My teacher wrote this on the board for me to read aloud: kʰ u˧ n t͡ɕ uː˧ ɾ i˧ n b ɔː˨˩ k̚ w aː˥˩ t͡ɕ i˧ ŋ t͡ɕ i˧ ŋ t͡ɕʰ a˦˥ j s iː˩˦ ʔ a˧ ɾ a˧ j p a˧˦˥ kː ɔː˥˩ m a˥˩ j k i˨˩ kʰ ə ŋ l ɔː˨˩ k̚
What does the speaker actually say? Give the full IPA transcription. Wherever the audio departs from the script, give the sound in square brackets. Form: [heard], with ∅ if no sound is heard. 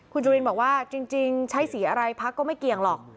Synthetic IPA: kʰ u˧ n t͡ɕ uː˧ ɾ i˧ n b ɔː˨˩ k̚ w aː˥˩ t͡ɕ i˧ ŋ t͡ɕ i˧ ŋ t͡ɕʰ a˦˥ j s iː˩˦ ʔ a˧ ɾ a˧ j [pʰ] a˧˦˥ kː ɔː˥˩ m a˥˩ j k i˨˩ [∅] ə ŋ l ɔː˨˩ k̚

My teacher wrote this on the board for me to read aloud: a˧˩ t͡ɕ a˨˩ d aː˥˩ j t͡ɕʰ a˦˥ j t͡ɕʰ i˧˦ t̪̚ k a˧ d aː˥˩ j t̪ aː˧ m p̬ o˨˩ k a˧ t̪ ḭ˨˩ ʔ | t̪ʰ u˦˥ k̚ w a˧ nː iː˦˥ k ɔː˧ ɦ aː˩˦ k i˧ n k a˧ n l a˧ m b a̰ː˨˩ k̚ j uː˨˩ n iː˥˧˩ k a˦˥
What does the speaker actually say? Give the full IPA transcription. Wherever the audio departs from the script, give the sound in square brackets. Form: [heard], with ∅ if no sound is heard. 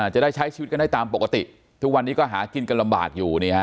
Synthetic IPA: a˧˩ t͡ɕ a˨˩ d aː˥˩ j t͡ɕʰ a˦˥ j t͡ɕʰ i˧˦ t̪̚ k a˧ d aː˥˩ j t̪ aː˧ m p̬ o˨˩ k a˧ t̪ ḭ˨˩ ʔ | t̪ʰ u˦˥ k̚ w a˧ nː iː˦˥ k [ɔː˥˩] ɦ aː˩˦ k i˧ n k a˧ n l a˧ m b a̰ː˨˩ k̚ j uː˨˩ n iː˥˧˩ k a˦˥

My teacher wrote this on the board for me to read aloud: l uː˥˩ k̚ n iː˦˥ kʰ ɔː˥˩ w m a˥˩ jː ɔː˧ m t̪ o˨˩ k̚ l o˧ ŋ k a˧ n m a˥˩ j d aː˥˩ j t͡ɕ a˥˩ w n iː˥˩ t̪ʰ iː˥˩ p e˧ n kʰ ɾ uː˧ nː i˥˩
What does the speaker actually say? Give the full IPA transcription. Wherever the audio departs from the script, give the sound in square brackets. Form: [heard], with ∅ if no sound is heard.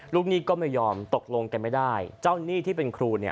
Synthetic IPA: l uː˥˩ k̚ n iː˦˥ [k] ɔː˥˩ [∅] m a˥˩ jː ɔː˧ m t̪ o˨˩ k̚ l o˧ ŋ k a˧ n m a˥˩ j d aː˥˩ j t͡ɕ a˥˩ w n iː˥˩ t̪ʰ iː˥˩ p e˧ n kʰ ɾ uː˧ [n] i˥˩

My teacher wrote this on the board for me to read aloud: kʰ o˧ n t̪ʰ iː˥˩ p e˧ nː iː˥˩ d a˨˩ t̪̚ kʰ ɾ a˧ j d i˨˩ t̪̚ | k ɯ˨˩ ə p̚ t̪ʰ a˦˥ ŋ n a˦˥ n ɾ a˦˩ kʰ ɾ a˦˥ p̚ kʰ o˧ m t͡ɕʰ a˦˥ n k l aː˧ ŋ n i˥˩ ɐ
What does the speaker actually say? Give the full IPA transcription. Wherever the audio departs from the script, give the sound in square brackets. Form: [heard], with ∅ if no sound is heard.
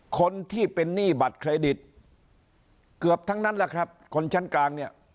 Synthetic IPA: kʰ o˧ n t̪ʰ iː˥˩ p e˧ nː iː˥˩ [b] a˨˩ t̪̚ kʰ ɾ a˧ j d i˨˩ t̪̚ | k ɯ˨˩ ə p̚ t̪ʰ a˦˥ ŋ n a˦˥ n [l] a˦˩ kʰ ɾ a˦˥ p̚ kʰ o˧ [n] t͡ɕʰ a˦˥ n k l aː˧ ŋ n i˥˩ ɐ

